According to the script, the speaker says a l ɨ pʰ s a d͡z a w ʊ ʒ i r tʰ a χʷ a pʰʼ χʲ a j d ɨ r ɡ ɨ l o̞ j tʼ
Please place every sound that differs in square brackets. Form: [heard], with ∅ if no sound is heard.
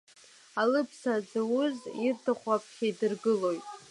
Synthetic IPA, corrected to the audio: a l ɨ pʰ s a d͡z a w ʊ [z] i r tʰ a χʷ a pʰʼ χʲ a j d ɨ r ɡ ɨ l o̞ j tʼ